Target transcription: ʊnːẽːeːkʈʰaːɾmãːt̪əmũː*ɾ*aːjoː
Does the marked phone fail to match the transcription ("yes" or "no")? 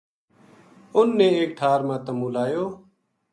yes